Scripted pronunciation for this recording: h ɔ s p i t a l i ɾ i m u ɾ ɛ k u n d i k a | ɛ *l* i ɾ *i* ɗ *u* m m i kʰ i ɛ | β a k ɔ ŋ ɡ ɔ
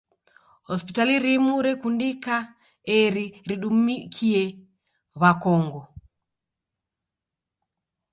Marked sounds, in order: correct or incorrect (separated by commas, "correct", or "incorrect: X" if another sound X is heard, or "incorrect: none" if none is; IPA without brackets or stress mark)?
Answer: incorrect: ɾ, correct, correct